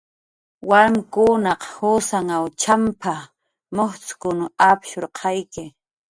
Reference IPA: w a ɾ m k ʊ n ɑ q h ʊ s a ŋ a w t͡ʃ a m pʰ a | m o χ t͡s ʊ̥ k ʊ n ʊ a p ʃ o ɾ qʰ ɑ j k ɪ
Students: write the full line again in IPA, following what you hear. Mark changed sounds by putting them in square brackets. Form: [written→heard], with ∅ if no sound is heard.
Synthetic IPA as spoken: w a ɾ m k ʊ n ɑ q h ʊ s a ŋ a w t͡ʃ a m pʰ a | m o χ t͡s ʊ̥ k ʊ n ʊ a p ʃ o ɾ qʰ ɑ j k ɪ